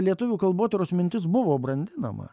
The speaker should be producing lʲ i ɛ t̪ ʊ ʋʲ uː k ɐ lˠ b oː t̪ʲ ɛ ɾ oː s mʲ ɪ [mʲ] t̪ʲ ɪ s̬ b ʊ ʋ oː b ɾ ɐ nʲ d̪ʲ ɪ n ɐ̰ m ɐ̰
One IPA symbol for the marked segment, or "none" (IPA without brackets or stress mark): nʲ